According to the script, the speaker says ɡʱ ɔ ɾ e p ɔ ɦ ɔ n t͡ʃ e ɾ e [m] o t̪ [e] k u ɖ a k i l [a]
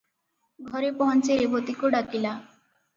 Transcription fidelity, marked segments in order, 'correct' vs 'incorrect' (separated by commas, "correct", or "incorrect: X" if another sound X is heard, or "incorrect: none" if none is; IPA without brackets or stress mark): incorrect: b, incorrect: i, correct